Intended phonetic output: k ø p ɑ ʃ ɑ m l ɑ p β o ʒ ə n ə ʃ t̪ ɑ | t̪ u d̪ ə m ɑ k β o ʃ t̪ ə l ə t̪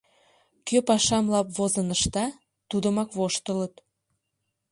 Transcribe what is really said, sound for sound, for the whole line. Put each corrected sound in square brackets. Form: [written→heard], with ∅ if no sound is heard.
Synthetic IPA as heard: k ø p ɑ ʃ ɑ m l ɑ p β o [ʒ→z] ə n ə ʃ t̪ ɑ | t̪ u d̪ ə m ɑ k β o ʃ t̪ ə l ə t̪